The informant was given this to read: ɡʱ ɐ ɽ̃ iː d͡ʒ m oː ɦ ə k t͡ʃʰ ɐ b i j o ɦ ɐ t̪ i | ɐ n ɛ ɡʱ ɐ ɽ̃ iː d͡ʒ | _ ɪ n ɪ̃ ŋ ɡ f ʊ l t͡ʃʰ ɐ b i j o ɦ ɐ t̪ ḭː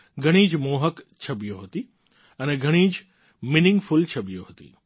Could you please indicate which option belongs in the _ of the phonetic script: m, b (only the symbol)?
m